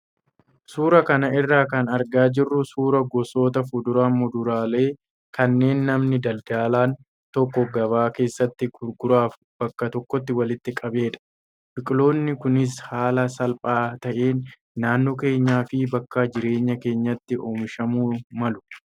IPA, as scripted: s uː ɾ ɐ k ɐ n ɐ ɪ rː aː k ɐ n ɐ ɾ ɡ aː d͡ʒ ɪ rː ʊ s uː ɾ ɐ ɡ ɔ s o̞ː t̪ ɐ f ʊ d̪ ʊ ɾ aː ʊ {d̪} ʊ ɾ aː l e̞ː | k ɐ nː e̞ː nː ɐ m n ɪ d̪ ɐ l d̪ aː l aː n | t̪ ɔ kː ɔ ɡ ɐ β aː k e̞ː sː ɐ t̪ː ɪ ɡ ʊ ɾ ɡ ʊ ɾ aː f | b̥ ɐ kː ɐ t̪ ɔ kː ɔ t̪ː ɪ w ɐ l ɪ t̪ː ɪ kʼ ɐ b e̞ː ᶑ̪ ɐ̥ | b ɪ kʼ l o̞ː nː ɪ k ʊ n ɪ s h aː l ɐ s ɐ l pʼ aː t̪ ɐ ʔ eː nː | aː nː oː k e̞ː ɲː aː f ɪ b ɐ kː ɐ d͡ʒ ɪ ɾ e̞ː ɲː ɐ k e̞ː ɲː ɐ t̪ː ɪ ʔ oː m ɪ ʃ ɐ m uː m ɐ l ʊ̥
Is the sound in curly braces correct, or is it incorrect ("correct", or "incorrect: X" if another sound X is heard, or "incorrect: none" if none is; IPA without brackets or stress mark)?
correct